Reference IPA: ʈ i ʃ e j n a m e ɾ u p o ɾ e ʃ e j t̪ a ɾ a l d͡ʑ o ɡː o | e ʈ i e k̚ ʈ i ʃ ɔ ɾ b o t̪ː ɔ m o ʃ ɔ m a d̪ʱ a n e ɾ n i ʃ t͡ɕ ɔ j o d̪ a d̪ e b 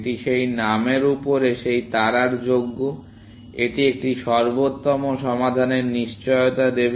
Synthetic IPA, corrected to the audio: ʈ i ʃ e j n a m e ɾ u p o ɾ e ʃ e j t̪ a ɾ a ɾ d͡ʑ o ɡː o | e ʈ i e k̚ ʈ i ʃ ɔ ɾ b o t̪ː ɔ m o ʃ ɔ m a d̪ʱ a n e ɾ n i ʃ t͡ɕ ɔ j o t̪ a d̪ e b